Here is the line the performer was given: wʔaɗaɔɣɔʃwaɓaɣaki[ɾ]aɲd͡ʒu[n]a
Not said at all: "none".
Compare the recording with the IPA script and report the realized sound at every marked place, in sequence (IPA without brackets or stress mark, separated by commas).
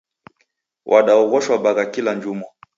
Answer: l, m